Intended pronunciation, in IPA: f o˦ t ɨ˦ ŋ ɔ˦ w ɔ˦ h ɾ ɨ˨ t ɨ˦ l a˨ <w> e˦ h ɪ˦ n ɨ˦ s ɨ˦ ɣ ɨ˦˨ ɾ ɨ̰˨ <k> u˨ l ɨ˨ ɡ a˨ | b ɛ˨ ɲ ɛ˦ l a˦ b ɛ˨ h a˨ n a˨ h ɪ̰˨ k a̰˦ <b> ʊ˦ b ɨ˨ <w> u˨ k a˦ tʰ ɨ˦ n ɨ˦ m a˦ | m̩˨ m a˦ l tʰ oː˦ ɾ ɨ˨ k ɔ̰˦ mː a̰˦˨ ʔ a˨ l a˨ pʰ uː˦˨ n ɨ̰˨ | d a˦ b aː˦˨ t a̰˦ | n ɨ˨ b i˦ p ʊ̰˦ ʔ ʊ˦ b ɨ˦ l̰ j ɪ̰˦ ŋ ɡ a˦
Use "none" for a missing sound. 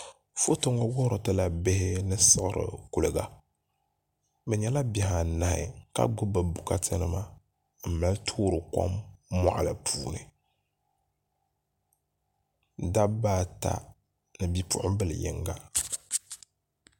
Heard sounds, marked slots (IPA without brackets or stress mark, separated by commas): b, k, ɡ͡b, b